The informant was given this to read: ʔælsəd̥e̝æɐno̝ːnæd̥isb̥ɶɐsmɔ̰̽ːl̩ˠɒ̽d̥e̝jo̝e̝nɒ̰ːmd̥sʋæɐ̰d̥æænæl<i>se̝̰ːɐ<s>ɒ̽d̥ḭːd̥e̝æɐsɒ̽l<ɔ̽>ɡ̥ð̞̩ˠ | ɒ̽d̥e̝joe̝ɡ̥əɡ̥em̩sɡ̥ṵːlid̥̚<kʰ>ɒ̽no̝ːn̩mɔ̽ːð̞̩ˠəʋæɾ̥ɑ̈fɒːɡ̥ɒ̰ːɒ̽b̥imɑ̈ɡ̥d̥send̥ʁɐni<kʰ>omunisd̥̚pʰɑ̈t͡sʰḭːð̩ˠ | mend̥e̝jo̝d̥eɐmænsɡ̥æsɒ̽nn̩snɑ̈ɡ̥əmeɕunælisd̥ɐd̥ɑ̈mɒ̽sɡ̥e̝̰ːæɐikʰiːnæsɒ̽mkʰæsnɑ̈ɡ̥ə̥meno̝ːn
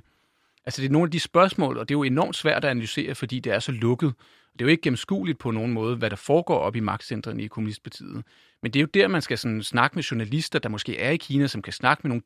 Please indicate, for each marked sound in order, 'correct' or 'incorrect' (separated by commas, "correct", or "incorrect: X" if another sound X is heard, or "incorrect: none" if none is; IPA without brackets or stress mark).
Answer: incorrect: y, incorrect: f, correct, incorrect: pʰ, correct